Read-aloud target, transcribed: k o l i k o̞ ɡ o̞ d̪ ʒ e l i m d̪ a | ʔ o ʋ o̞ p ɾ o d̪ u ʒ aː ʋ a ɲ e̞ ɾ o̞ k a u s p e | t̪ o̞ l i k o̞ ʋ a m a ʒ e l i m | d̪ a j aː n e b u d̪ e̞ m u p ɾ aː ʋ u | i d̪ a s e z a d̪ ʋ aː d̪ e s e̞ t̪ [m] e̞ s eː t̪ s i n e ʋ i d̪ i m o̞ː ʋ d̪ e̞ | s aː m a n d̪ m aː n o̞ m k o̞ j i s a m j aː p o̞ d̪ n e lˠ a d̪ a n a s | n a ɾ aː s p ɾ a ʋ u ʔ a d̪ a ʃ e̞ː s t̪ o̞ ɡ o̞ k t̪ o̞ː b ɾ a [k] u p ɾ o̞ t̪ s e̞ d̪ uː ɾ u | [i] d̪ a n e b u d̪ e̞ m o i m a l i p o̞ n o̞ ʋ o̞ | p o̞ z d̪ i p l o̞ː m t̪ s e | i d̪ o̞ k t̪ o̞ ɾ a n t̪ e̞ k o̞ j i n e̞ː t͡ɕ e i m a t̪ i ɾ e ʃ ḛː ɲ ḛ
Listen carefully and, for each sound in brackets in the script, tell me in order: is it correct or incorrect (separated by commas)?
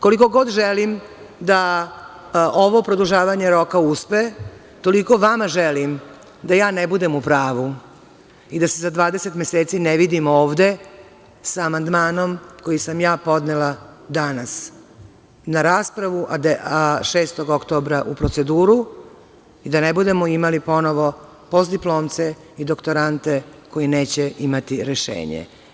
correct, incorrect, correct